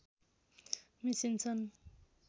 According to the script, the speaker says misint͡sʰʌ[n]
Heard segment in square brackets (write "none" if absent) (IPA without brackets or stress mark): n